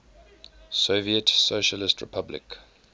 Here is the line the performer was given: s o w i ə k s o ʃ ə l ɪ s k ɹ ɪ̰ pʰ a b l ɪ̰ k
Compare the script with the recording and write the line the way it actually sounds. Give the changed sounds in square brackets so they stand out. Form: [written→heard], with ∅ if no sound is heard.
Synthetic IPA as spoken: s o [w→v] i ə [k→t] s o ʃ ə l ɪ s [k→t] ɹ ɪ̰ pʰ a b l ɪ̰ k